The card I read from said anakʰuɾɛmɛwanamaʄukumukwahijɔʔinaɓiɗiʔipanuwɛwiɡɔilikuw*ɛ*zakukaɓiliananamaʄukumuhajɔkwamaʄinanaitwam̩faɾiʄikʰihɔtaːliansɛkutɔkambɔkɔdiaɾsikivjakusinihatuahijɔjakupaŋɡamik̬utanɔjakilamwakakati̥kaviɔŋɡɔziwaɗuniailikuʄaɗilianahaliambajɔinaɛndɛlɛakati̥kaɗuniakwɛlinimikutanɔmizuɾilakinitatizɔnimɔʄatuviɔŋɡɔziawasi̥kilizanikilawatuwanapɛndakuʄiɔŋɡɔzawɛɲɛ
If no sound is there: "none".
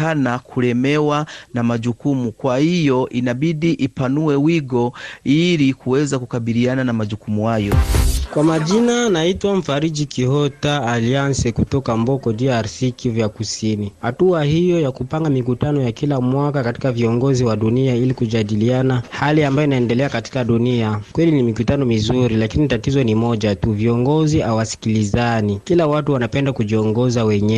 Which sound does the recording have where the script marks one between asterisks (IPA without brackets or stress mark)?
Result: ɛ